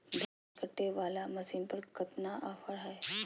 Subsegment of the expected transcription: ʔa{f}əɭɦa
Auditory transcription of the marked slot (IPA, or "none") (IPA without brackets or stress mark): f